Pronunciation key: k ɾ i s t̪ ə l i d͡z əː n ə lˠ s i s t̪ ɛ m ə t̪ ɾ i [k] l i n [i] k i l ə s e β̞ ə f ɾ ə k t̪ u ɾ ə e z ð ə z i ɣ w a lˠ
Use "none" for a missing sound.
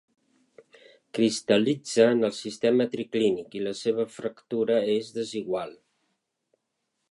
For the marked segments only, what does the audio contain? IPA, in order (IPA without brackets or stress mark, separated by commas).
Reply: k, i